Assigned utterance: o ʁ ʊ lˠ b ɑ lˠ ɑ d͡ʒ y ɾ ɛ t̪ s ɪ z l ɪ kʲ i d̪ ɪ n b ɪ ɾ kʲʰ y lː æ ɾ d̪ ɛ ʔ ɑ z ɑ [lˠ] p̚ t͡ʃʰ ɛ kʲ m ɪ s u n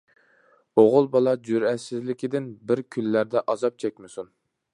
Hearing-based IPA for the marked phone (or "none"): none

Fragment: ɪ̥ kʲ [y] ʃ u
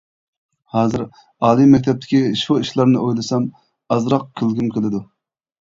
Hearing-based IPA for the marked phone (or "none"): i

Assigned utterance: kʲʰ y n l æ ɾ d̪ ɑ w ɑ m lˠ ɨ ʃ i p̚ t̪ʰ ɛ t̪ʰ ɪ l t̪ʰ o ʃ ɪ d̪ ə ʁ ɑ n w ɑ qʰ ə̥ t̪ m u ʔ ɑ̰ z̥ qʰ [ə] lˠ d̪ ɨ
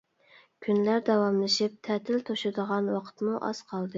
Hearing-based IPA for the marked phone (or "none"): ɑ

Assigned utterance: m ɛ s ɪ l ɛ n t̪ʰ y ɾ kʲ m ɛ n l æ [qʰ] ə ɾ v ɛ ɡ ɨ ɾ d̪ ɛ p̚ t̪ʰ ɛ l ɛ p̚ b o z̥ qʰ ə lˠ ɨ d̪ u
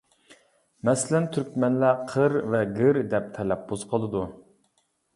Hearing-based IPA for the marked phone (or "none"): qʰ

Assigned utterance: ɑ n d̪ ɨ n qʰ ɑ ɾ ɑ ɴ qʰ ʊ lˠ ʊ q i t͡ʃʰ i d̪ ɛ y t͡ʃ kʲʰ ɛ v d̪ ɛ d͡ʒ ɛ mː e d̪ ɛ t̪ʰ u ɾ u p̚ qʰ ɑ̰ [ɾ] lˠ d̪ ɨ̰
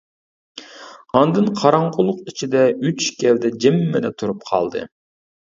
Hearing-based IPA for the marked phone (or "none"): none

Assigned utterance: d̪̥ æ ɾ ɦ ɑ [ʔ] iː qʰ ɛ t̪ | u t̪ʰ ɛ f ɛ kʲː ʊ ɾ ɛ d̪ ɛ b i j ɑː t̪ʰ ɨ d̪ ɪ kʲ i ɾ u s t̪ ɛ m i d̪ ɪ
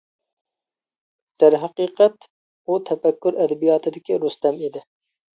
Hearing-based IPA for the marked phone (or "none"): q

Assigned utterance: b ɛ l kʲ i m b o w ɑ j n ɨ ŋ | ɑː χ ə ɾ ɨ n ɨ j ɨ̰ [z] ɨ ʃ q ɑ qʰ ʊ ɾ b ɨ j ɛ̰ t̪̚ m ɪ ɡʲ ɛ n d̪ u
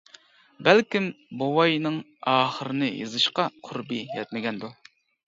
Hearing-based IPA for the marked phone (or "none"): z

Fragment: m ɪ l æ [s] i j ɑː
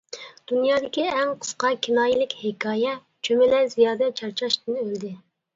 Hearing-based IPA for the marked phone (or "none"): z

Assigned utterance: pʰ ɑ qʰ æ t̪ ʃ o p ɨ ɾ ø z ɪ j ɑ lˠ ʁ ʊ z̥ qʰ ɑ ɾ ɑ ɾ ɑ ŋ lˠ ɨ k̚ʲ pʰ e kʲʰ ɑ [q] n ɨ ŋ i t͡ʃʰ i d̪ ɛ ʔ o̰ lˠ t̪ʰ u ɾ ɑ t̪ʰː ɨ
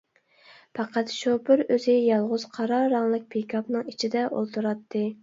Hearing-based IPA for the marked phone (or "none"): p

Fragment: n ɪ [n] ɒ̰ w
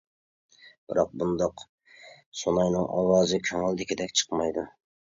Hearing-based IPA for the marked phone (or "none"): ŋ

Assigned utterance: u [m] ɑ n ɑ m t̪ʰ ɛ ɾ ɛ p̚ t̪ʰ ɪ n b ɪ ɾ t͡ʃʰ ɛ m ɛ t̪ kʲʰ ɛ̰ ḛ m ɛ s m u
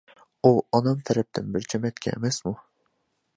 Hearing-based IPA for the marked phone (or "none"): none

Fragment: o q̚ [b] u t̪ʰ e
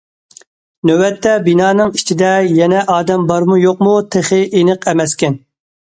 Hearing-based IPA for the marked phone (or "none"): m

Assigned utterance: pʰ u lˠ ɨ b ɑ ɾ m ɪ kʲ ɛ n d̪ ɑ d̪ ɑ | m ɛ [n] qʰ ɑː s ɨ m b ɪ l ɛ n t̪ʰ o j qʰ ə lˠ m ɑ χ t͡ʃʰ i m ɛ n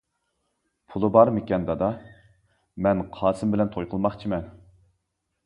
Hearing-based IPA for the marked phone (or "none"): n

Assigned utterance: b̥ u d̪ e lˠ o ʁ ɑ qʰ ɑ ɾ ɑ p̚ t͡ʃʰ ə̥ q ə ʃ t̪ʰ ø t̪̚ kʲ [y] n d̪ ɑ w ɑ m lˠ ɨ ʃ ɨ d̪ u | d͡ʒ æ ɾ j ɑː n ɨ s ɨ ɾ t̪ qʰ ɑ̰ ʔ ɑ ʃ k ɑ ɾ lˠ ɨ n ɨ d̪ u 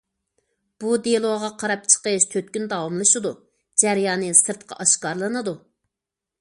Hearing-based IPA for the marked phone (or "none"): y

